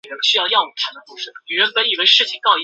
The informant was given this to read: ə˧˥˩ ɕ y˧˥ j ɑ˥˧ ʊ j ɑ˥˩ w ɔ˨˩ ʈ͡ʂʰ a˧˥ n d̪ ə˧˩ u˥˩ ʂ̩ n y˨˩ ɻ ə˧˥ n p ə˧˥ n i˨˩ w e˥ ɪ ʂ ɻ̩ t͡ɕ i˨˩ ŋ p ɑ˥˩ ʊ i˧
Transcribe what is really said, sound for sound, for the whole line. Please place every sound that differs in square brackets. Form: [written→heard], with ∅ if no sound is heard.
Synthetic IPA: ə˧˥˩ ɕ [y˧˥→y˥] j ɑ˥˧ ʊ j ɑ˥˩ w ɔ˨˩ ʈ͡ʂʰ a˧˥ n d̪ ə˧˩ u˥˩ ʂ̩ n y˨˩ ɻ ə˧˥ n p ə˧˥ n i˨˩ w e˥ ɪ ʂ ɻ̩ [t͡ɕ→t͡ɕʰ] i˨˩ ŋ [p→k] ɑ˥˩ ʊ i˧